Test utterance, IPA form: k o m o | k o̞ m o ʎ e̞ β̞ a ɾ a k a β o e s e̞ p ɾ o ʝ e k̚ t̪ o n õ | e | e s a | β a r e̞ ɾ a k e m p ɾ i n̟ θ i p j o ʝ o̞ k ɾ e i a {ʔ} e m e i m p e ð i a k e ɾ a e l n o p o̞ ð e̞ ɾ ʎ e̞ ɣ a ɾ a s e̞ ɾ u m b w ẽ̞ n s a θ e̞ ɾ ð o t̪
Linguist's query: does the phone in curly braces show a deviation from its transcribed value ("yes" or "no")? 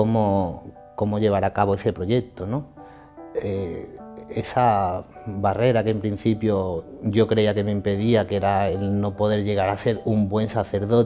yes